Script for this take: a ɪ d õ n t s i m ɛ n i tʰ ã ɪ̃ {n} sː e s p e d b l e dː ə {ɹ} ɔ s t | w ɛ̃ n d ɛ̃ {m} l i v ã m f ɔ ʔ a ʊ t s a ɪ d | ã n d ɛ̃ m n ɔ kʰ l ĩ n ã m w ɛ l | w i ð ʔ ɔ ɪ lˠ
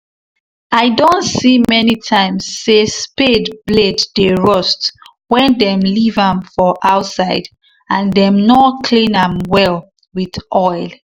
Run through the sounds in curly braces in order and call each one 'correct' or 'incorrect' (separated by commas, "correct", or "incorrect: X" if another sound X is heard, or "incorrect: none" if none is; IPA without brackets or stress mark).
incorrect: m, correct, correct